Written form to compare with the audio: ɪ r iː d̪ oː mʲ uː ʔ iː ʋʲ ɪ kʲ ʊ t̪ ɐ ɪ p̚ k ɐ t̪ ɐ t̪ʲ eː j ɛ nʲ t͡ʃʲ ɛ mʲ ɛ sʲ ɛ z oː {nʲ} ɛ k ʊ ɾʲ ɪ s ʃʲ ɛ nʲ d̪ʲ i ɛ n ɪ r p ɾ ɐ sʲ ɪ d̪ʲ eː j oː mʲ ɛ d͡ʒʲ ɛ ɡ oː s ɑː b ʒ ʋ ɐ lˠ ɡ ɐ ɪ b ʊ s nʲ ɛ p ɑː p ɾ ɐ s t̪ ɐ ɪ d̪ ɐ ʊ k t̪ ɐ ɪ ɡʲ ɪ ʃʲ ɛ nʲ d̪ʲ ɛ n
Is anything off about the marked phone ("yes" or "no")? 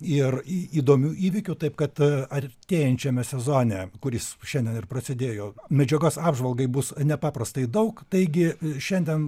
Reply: no